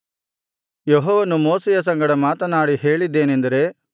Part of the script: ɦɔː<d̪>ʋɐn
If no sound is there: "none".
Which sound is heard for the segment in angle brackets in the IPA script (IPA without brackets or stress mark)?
none